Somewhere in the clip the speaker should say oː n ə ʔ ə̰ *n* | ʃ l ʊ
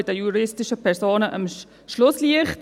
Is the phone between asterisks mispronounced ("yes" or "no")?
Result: yes